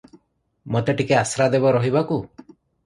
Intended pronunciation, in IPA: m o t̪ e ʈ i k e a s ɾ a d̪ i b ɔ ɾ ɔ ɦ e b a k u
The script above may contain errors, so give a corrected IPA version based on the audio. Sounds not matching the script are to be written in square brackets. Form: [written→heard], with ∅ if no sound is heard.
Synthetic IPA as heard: m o t̪ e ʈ i k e a s ɾ a d̪ [i→e] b ɔ ɾ ɔ ɦ [e→i] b a k u